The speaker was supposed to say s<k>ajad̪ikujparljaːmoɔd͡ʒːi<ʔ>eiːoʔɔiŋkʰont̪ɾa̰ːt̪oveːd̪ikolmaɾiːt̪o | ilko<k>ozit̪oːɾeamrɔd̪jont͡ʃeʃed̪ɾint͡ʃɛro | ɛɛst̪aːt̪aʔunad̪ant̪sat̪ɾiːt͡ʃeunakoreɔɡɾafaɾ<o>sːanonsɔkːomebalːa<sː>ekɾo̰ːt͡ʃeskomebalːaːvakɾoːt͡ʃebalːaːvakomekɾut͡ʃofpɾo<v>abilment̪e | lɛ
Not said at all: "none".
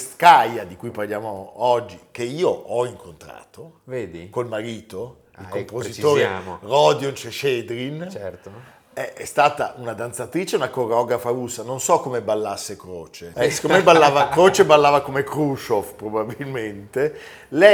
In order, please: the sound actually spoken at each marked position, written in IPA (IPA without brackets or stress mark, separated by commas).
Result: k, k, p, u, sː, b